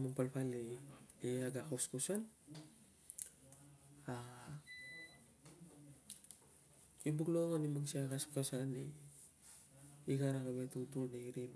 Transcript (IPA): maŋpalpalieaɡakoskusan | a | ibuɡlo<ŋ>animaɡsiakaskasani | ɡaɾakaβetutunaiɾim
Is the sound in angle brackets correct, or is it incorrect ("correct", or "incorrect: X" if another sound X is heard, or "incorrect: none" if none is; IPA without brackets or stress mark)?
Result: correct